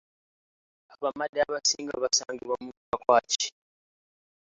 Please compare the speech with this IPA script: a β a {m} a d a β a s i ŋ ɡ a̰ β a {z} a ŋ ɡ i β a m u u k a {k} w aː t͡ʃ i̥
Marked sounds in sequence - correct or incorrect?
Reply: correct, incorrect, correct

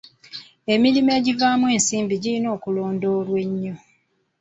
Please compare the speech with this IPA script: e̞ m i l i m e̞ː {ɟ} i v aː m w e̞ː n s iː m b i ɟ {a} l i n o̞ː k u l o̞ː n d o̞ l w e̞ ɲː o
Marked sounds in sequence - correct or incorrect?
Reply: correct, incorrect

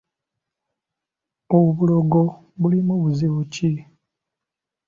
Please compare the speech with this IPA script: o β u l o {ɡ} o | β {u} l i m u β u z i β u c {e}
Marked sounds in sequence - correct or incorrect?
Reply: correct, correct, incorrect

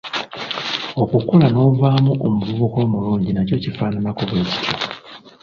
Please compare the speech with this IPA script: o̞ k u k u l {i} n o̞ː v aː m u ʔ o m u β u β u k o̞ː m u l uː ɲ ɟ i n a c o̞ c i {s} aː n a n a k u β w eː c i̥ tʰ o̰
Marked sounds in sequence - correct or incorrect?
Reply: incorrect, incorrect

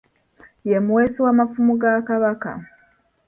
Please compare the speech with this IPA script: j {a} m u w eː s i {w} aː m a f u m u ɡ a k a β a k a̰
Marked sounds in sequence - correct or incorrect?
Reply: incorrect, correct

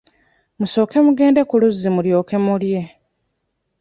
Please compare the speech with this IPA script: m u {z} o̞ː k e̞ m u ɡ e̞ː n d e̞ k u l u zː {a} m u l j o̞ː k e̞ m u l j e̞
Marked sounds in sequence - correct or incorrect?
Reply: incorrect, incorrect

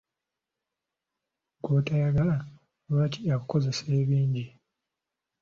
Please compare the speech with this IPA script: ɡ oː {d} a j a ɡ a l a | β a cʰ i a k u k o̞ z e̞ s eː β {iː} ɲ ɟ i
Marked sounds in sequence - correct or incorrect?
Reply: incorrect, correct

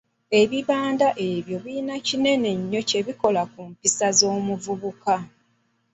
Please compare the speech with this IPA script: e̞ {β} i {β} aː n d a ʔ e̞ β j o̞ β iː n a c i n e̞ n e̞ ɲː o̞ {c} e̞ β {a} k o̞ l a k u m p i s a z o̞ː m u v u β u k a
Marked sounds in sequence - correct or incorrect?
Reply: correct, correct, correct, incorrect

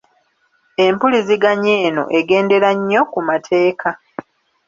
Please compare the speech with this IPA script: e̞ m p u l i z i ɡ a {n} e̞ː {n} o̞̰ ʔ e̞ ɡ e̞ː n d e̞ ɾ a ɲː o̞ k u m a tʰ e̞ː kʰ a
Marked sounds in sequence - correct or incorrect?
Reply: incorrect, correct

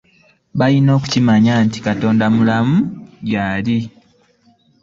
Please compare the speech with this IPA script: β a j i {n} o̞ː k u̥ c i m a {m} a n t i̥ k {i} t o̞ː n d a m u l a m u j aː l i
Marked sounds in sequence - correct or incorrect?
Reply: correct, incorrect, incorrect

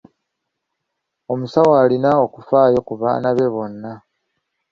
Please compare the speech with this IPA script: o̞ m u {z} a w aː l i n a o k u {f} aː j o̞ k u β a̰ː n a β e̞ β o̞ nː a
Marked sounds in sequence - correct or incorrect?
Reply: incorrect, correct

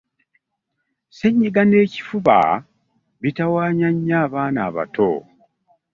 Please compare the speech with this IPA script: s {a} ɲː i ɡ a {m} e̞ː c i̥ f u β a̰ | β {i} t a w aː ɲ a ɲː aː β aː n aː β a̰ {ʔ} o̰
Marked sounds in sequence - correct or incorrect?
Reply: incorrect, incorrect, correct, incorrect

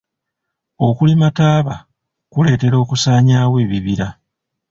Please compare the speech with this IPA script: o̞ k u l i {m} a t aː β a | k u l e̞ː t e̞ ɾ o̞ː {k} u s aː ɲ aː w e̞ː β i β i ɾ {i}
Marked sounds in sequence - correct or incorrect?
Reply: correct, correct, incorrect

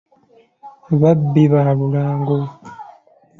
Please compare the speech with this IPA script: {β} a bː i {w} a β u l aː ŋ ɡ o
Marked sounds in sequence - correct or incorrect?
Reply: correct, incorrect

